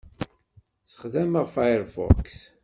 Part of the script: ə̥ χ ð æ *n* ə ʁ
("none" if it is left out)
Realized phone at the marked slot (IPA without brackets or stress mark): m